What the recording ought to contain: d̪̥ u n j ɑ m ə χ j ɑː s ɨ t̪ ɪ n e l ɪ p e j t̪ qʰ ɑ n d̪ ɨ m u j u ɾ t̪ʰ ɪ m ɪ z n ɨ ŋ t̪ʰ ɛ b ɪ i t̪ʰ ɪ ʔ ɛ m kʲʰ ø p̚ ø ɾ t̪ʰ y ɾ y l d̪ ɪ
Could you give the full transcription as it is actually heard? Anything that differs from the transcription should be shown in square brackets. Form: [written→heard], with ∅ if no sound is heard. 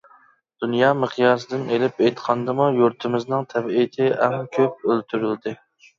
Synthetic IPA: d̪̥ u n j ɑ m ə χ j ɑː s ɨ [t̪→d̪] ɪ n e l ɪ p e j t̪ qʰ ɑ n d̪ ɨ m u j u ɾ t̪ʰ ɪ m ɪ z n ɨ ŋ t̪ʰ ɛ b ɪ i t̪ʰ ɪ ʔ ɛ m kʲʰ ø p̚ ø [ɾ→l] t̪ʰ y ɾ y l d̪ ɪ